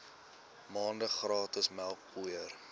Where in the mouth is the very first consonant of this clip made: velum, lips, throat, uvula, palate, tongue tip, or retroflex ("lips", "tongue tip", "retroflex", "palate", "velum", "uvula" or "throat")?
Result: lips